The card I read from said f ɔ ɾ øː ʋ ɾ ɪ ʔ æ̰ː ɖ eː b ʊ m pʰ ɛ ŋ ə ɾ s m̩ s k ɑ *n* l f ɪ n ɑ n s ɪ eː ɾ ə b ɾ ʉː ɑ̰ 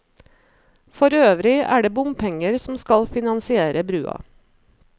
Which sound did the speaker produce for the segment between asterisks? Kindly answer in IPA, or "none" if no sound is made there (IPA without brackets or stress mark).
none